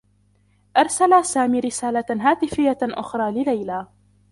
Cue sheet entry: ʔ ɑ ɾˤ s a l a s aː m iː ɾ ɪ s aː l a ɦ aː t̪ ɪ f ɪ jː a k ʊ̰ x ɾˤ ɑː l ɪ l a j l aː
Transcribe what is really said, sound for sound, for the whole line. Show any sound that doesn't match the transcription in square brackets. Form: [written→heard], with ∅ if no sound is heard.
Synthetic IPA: ʔ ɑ ɾˤ s a l a s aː m iː ɾ ɪ s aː l a ɦ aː t̪ ɪ f ɪ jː a [k→ʔ] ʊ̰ x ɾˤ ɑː l ɪ l a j l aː